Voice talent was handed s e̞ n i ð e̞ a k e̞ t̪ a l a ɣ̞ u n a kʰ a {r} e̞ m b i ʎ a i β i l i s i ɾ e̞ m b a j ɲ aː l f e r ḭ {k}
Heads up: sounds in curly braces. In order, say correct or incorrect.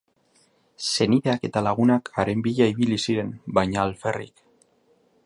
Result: incorrect: ɾ, correct

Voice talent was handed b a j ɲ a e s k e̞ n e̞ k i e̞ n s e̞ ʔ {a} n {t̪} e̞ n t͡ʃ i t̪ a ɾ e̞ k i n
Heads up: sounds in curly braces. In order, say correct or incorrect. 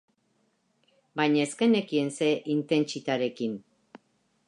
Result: incorrect: i, correct

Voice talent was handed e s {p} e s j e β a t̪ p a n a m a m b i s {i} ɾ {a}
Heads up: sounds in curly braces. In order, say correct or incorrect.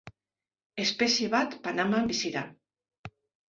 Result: correct, correct, correct

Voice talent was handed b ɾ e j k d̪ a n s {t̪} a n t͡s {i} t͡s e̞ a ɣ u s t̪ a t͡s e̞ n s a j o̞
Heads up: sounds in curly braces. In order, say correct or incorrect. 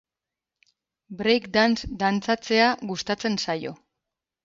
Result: incorrect: d̪, incorrect: a

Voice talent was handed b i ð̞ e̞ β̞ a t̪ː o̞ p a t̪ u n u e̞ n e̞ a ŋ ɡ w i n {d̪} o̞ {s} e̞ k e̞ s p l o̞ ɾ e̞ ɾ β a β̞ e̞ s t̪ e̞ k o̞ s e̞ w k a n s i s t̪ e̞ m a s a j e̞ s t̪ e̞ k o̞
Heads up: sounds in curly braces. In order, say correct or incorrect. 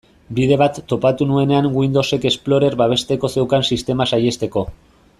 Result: correct, correct

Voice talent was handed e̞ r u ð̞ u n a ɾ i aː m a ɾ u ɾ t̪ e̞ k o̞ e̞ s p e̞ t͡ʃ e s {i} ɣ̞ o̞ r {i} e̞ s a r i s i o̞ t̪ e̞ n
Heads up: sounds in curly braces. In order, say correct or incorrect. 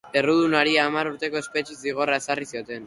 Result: correct, incorrect: a

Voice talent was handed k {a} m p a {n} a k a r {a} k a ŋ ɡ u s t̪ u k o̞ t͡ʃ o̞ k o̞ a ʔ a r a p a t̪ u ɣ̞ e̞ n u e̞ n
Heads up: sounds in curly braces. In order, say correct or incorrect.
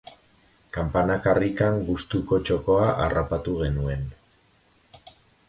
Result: correct, correct, incorrect: i

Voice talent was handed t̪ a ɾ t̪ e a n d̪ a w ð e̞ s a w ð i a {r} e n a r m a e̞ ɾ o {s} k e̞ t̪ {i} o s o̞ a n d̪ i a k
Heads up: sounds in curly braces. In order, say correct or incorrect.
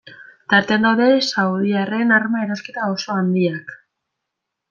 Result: correct, correct, incorrect: a

